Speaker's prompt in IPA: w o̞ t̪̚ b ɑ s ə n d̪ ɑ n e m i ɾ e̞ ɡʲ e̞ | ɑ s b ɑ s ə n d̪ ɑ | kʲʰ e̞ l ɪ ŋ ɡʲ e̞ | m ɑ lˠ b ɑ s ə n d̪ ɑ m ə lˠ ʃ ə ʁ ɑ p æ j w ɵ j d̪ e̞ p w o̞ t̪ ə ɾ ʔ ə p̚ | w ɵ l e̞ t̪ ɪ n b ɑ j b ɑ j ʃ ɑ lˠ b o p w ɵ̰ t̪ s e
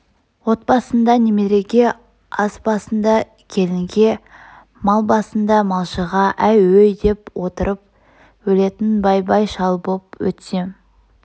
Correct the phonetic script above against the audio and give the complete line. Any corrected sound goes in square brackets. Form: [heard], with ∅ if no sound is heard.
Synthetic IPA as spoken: w o̞ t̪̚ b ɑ s ə n d̪ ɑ n e m [e] ɾ e̞ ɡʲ e̞ | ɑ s b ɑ s ə n d̪ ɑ | kʲʰ e̞ l ɪ ŋ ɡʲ e̞ | m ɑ lˠ b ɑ s ə n d̪ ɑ m [ɑ] lˠ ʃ ə ʁ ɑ [ʔ] æ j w ɵ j d̪ e̞ p w o̞ t̪ ə ɾ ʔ ə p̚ | w ɵ l e̞ t̪ ɪ n b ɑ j b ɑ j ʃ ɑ lˠ b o p w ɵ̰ t̪ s e

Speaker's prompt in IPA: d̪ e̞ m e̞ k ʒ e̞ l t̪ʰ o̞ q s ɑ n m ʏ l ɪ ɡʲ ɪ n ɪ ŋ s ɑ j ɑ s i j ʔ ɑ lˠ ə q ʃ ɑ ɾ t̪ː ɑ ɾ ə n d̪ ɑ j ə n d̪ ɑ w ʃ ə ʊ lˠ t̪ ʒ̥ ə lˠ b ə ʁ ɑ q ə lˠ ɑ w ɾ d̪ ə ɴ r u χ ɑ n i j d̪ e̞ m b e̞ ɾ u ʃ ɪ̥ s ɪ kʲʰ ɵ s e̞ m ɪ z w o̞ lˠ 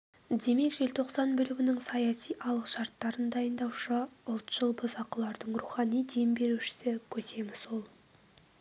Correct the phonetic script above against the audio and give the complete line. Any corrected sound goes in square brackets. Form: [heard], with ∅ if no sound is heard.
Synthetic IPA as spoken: d̪ e̞ m e̞ k ʒ e̞ l t̪ʰ o̞ q s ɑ n [b] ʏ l ɪ ɡʲ ɪ n ɪ ŋ s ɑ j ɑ s i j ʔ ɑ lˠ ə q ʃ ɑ ɾ t̪ː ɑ ɾ ə n d̪ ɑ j ə n d̪ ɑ w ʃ ə ʊ lˠ t̪ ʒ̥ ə lˠ b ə [z] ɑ q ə lˠ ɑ [∅] ɾ d̪ ə ɴ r u χ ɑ n i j d̪ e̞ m b e̞ ɾ u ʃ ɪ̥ s ɪ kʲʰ ɵ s e̞ m ɪ z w o̞ lˠ

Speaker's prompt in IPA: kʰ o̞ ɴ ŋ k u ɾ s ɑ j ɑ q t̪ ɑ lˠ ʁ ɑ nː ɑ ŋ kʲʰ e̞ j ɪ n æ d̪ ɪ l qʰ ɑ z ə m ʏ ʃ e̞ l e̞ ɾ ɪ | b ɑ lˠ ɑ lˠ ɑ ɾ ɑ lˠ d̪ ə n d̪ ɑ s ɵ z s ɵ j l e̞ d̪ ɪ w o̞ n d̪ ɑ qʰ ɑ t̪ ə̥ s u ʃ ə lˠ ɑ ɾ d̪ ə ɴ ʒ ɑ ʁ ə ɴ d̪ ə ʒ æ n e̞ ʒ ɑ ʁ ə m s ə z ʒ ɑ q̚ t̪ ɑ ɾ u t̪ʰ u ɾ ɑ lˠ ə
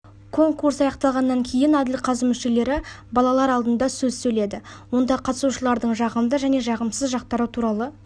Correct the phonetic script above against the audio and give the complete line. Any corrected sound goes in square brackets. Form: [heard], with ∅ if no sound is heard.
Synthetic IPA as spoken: kʰ o̞ [∅] ŋ k u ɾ s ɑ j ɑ q t̪ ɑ lˠ ʁ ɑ nː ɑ ŋ kʲʰ e̞ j ɪ n æ d̪ ɪ l qʰ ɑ z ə m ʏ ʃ e̞ l e̞ ɾ ɪ | b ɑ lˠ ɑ lˠ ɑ ɾ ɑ lˠ d̪ ə n d̪ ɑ s ɵ z s ɵ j l e̞ d̪ ɪ w o̞ n d̪ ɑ qʰ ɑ t̪ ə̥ s u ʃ ə lˠ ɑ ɾ d̪ ə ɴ ʒ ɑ ʁ ə [m] d̪ ə ʒ æ n e̞ ʒ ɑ ʁ ə m s ə z ʒ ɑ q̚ t̪ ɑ ɾ u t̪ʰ u ɾ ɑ lˠ ə

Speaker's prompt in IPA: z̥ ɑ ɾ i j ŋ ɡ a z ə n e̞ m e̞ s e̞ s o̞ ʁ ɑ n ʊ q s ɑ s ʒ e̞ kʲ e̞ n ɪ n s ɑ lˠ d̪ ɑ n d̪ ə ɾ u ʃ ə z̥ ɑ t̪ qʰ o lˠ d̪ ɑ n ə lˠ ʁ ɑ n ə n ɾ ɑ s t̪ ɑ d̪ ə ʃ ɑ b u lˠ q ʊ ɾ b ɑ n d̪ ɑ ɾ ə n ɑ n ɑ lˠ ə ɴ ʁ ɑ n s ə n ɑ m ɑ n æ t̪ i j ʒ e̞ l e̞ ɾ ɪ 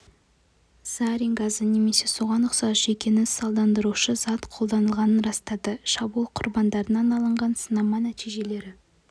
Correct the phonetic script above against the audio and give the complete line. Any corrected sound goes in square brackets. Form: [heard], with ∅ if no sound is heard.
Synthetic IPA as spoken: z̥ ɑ ɾ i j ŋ ɡ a z ə n e̞ m e̞ s e̞ s o̞ ʁ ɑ n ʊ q s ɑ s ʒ e̞ kʲ e̞ n ɪ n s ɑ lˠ d̪ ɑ n d̪ ə ɾ u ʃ ə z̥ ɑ t̪ qʰ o lˠ d̪ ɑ n ə lˠ ʁ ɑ n ə n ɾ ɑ s t̪ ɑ d̪ ə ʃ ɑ b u lˠ [qʰ] ʊ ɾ b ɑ n d̪ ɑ ɾ ə n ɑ n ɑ lˠ ə ɴ ʁ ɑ n s ə n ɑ m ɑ n æ t̪ i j ʒ e̞ l e̞ ɾ ɪ

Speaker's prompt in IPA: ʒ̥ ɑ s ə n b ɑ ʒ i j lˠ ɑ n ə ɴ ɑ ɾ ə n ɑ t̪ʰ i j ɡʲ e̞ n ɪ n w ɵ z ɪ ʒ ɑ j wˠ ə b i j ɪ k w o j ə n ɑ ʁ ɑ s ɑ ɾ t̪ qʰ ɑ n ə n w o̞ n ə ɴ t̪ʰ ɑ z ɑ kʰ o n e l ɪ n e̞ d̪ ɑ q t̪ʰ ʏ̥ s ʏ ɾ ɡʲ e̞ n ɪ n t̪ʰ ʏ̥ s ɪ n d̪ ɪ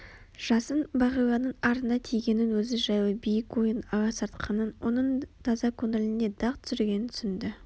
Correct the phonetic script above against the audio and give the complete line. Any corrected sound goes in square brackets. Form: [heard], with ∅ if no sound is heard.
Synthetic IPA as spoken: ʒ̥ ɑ s ə n b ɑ [ʁ] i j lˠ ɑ n ə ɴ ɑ ɾ ə n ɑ t̪ʰ i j ɡʲ e̞ n ɪ n w ɵ z ɪ ʒ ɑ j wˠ ə b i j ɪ k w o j ə n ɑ ʁ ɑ s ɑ ɾ t̪ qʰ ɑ n ə n w o̞ n ə ɴ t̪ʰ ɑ z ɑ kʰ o n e l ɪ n e̞ d̪ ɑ q t̪ʰ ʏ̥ s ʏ ɾ ɡʲ e̞ n ɪ n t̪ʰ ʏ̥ s ɪ n d̪ ɪ

